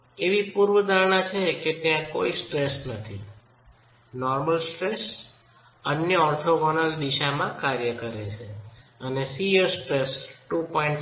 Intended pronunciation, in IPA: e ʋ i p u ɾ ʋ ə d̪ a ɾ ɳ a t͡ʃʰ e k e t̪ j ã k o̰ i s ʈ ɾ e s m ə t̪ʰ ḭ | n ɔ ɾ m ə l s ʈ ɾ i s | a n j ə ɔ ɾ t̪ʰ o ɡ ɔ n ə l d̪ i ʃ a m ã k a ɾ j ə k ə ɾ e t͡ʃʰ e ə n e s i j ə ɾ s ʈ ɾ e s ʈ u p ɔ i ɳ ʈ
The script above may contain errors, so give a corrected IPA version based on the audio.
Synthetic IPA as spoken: e ʋ i p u ɾ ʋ ə d̪ a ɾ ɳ a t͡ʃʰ e k e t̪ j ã k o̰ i s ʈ ɾ e s n ə t̪ʰ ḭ | n ɔ ɾ m ə l s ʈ ɾ e s | ə n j ə ɔ ɾ t̪ʰ o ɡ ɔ n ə l d̪ i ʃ a m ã k a ɾ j ə k ə ɾ e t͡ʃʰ e ə n e s i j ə ɾ s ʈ ɾ e s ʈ u p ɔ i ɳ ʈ